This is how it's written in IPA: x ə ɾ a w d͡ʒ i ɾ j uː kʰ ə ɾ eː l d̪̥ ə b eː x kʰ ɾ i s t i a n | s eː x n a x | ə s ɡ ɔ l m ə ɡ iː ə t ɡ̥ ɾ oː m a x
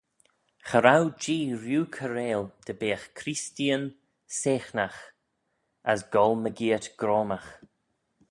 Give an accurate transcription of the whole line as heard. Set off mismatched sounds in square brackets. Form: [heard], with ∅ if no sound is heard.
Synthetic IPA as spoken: x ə ɾ a w d͡ʒ [iː] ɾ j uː kʰ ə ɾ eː l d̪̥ ə b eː x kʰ ɾ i s t i [ə] n | s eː x n a x | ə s ɡ ɔ l m ə ɡ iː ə t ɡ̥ ɾ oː m a x

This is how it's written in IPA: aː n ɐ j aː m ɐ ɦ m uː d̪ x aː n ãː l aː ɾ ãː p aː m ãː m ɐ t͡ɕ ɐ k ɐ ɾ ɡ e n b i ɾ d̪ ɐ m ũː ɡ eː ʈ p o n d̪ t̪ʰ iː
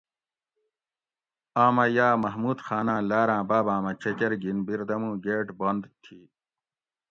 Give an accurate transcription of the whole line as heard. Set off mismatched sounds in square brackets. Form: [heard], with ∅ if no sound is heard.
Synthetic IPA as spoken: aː [m] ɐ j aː m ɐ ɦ m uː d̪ x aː n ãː l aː ɾ ãː [b] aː [b] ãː m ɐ t͡ɕ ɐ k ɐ ɾ ɡ [i] n b i ɾ d̪ ɐ m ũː ɡ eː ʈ [b] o n d̪ t̪ʰ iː

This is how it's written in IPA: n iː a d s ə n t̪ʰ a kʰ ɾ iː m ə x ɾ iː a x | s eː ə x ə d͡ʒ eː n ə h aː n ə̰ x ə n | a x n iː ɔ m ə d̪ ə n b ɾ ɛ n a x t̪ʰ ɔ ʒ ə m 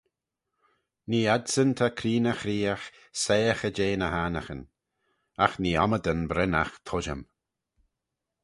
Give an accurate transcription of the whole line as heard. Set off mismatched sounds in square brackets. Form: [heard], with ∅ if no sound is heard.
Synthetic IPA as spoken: n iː a d s ə n t̪ʰ a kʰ ɾ iː [n] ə x ɾ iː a x | s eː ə x ə d͡ʒ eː n ə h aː n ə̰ x ə n | a x n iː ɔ m ə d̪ ə n b ɾ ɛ n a x t̪ʰ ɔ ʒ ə m

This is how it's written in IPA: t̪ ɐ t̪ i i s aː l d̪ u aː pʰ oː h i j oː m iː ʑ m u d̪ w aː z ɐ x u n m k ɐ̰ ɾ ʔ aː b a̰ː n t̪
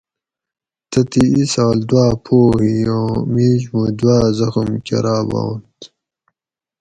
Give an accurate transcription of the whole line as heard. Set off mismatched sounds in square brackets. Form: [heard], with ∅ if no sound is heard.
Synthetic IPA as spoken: t̪ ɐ t̪ i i s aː l d̪ [w] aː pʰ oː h i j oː m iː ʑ m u d̪ w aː z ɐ x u [∅] m k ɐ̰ ɾ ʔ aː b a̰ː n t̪

